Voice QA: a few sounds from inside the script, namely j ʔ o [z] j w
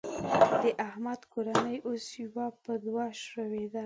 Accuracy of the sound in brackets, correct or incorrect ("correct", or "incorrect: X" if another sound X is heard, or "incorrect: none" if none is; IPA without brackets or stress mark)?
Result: incorrect: s